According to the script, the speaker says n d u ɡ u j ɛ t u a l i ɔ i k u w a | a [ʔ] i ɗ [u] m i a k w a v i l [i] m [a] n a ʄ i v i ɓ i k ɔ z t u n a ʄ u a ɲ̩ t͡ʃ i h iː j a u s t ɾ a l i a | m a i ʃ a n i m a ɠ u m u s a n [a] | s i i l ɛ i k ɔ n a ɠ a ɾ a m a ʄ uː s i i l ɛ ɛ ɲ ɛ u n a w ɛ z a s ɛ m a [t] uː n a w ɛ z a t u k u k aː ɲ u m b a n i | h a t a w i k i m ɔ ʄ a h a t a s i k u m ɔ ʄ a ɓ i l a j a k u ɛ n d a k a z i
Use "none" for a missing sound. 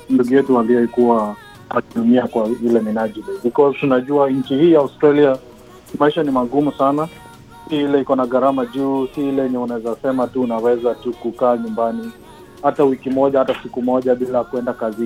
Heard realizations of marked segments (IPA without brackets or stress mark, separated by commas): k, u, ɛ, i, a, t